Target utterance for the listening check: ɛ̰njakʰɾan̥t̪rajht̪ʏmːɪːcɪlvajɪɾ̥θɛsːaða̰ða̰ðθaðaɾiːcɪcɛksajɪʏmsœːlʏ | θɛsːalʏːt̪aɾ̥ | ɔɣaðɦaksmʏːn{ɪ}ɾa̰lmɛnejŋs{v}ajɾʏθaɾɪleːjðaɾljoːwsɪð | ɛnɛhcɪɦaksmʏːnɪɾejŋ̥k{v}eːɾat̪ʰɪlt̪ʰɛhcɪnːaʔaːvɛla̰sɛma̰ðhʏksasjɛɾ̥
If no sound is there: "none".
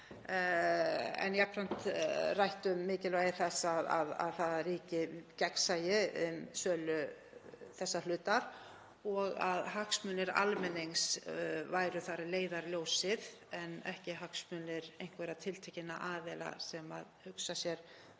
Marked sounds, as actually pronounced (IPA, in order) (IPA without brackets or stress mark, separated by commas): ɪ, v, v